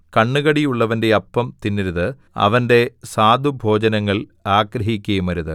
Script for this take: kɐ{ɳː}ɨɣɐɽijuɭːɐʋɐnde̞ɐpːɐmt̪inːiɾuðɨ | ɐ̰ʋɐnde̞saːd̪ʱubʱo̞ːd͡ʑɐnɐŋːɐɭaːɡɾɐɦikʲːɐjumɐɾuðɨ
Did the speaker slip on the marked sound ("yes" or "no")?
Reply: no